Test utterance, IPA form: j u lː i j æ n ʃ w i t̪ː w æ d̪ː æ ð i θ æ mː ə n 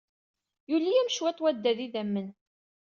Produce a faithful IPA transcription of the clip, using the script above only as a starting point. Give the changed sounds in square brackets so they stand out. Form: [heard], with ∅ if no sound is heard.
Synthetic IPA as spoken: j u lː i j æ [m] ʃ w [æ] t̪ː w æ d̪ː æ ð i [ð] æ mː ə n